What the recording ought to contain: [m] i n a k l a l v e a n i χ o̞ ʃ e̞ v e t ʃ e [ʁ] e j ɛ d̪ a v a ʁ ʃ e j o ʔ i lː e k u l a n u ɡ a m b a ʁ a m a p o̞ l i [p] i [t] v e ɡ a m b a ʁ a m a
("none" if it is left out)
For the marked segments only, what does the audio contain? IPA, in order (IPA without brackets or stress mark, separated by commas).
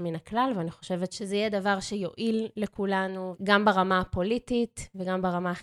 m, z, t, t